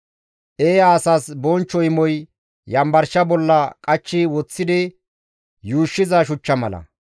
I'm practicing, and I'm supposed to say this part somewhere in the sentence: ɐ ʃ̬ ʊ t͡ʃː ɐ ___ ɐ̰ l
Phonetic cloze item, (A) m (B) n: A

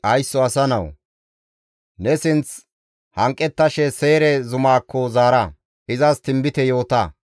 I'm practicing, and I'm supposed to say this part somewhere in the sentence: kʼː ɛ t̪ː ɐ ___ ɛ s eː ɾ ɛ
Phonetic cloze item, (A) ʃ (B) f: A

